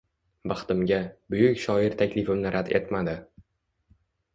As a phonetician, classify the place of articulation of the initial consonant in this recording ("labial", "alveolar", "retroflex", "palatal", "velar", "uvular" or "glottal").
labial